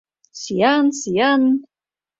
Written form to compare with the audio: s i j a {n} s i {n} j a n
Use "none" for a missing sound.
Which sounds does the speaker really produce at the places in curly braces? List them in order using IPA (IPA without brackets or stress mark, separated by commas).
n, none